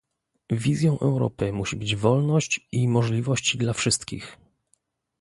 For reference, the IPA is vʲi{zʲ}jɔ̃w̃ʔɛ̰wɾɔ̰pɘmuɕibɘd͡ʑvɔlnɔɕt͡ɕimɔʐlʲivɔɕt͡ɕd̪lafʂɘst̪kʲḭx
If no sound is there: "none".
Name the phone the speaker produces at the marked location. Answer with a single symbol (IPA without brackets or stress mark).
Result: zʲ